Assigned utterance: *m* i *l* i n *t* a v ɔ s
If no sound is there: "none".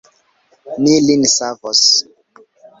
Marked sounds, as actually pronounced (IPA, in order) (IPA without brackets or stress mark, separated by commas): n, l, s